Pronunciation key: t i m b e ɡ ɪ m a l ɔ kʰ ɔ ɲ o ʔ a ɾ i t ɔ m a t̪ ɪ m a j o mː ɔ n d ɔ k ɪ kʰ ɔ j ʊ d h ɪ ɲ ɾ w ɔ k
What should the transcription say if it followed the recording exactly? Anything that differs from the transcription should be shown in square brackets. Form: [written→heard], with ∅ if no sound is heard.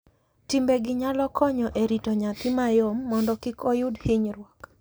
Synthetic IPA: t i m b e ɡ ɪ [m→ɲ] a l ɔ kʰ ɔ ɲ [o→ɔ] ʔ [a→e] ɾ i t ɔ [m→ɲ] a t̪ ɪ m a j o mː ɔ n d ɔ k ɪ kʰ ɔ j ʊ d h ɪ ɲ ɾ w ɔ k

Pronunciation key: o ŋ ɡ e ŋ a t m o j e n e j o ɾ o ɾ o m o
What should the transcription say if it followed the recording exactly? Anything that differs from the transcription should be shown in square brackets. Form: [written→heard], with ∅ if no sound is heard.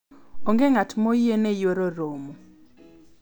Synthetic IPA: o ŋ ɡ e ŋ a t m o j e n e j o ɾ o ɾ o m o

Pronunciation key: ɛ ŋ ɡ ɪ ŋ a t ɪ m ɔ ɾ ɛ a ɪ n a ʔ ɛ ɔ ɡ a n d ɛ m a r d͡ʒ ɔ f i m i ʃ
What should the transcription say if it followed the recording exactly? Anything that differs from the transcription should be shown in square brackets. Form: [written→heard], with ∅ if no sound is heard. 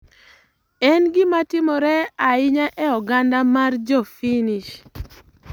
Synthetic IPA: ɛ [ŋ→n] ɡ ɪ [ŋ→m] a t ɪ m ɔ ɾ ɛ a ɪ [n→ɲ] a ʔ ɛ ɔ ɡ a n d [ɛ→a] m a r d͡ʒ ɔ f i [m→n] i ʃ

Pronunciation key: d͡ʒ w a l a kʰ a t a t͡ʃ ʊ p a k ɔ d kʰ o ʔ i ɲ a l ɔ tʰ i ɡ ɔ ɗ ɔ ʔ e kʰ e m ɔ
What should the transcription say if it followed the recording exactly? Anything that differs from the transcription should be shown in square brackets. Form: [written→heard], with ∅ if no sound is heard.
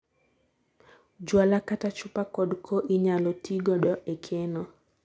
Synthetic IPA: d͡ʒ w a l a [kʰ→k] a t a t͡ʃ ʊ p a k ɔ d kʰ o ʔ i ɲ a l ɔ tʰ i ɡ ɔ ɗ ɔ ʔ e kʰ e [m→n] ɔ

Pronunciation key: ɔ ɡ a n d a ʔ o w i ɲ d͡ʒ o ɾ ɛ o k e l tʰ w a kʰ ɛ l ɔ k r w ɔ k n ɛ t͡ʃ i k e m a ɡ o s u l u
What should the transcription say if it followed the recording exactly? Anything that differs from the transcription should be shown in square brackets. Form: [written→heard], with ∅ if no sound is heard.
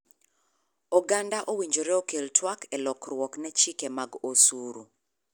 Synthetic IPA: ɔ ɡ a n d a ʔ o w i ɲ d͡ʒ o ɾ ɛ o k e l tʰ w a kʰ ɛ l ɔ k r w ɔ k n ɛ t͡ʃ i k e m a ɡ o s u [l→ɾ] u

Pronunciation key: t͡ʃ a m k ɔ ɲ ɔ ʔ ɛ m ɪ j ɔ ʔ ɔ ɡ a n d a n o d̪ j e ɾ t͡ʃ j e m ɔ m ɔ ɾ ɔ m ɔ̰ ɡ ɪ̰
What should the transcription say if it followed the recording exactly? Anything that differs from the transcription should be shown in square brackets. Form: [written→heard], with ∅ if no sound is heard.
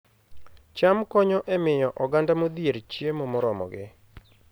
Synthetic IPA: t͡ʃ a m k ɔ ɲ ɔ ʔ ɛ m ɪ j ɔ ʔ ɔ ɡ a n d a [n→m] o d̪ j e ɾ t͡ʃ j e m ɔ m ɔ ɾ ɔ m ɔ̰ ɡ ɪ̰

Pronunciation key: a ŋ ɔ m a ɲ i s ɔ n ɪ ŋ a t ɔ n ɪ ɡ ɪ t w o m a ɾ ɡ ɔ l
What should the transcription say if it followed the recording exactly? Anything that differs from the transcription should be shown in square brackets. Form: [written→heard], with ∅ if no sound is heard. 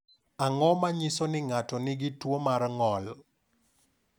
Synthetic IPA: a ŋ ɔ m a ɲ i s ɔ n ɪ ŋ a t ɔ n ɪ ɡ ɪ t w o m a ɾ [ɡ→ŋ] ɔ l

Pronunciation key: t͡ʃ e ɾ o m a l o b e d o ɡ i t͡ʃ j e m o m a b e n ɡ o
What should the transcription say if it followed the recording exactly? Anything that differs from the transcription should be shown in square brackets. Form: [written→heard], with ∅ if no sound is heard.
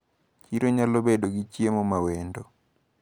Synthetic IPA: t͡ʃ [e→i] ɾ o [m→ɲ] a l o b e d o ɡ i t͡ʃ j e m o m a [b→w] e n [ɡ→d] o

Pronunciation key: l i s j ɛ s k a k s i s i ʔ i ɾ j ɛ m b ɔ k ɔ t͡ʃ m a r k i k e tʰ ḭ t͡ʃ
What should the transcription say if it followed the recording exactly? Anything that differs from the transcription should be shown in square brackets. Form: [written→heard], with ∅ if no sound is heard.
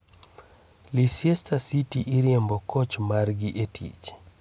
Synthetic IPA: l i s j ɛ s [k→t] a [k→∅] s i [s→t] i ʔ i ɾ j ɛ m b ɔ k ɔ t͡ʃ m a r [k→ɡ] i [k→ʔ] e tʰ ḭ t͡ʃ

